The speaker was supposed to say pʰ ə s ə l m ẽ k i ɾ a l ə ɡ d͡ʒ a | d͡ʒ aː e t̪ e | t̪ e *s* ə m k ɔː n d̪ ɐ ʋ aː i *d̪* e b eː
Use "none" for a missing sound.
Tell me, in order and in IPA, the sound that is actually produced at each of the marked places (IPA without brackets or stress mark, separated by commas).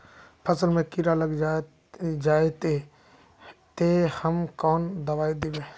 h, d̪